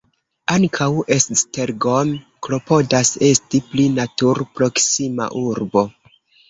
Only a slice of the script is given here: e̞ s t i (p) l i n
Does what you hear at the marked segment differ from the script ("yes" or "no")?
no